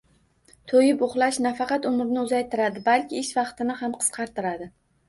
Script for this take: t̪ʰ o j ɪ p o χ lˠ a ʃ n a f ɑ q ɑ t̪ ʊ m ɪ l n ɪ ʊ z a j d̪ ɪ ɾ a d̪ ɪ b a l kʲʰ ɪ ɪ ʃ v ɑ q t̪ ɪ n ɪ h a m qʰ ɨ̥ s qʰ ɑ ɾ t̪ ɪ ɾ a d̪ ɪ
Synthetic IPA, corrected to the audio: t̪ʰ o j ɪ p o χ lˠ a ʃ n a f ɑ q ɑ t̪ ʊ m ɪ ɾ n ɪ ʊ z a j t̪ ɪ ɾ a d̪ ɪ b a l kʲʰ ɪ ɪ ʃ v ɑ q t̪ ɪ n ɪ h a m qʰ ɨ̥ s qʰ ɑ ɾ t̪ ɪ ɾ a d̪ ɪ